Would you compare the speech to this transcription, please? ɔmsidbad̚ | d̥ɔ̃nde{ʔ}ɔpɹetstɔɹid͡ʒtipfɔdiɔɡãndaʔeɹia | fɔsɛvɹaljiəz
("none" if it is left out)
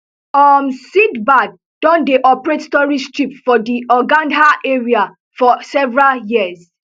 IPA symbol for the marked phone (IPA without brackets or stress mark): ʔ